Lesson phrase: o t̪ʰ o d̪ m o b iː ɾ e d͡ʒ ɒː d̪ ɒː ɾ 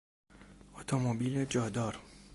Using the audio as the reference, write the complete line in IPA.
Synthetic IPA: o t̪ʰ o m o b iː l e d͡ʒ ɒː d̪ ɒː ɾ